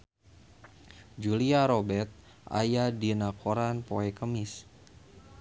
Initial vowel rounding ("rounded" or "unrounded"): rounded